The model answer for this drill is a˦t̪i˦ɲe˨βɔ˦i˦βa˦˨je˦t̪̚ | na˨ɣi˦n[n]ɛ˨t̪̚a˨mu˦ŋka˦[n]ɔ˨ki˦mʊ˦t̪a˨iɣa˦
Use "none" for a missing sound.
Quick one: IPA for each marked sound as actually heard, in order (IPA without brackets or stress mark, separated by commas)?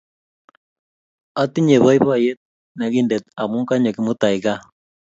d, ɲ